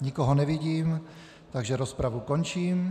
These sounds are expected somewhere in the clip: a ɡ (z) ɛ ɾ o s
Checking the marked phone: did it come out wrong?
yes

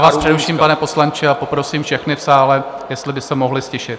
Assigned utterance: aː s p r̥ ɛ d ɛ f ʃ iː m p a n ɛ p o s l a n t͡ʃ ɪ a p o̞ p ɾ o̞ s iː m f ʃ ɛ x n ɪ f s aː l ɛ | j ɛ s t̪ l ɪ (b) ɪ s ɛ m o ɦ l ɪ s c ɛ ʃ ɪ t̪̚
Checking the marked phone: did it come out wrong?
no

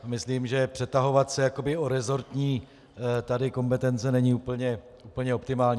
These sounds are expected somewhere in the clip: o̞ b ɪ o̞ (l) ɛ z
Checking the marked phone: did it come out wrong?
yes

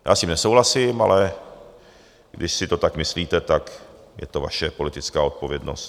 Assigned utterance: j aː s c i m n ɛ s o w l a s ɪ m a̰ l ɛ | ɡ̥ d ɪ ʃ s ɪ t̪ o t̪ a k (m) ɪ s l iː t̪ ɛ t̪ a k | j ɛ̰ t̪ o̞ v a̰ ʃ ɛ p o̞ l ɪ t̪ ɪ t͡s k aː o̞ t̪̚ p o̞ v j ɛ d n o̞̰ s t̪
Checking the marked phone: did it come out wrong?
no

